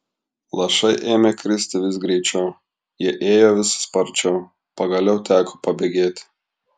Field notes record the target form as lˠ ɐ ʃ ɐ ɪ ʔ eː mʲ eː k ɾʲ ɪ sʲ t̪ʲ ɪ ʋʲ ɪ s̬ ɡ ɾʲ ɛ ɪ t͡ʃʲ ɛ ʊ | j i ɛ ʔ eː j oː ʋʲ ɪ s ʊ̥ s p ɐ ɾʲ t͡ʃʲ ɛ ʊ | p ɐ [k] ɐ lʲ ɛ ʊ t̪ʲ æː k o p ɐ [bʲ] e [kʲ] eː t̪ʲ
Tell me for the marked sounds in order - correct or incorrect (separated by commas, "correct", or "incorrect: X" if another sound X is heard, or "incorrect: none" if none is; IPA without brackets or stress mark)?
incorrect: ɡ, correct, incorrect: ɡʲ